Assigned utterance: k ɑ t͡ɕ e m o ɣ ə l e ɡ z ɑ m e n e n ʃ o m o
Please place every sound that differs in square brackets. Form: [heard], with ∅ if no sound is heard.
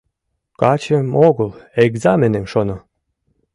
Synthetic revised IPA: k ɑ t͡ɕ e m o ɣ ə l e ɡ z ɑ m e n e [m] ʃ o [n] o